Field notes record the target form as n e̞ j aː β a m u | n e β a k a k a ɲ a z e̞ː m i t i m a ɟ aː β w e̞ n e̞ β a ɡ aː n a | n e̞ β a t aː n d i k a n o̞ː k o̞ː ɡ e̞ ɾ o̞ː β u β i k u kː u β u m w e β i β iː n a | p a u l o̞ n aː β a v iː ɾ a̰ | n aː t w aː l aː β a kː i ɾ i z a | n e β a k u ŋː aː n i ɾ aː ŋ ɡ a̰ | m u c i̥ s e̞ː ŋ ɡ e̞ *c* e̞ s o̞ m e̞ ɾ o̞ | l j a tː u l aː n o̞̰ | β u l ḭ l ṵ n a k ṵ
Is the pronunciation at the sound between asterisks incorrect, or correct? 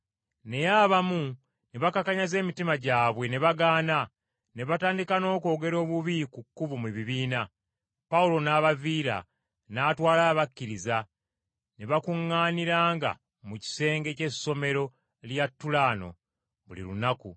correct